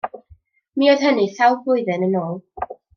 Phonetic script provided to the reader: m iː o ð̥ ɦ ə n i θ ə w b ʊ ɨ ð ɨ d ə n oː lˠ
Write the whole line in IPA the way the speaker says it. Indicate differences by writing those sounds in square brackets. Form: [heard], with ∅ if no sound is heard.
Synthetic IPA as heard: m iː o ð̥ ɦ ə n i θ [a] w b ʊ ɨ ð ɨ [n] ə n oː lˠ